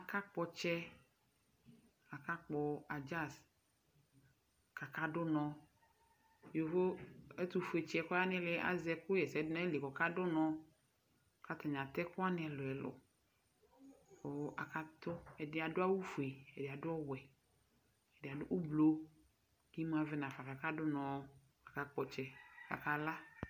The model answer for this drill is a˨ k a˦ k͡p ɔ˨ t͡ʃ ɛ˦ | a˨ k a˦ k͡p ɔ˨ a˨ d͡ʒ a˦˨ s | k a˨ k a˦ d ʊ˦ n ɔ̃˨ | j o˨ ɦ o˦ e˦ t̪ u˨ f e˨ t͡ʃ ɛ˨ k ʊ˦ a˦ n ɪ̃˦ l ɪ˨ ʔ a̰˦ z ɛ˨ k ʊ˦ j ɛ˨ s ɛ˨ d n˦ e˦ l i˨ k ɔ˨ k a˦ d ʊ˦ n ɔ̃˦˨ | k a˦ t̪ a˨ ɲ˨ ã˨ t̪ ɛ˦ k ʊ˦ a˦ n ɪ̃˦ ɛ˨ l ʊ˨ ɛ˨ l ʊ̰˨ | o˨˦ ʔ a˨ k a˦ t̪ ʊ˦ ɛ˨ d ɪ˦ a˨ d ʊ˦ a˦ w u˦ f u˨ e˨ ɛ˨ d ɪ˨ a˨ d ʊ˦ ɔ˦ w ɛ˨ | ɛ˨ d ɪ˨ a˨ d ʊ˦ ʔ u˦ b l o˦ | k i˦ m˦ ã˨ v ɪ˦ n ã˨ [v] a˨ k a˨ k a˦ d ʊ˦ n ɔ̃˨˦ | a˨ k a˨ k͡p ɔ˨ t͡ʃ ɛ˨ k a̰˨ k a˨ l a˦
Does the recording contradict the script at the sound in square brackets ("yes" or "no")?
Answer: yes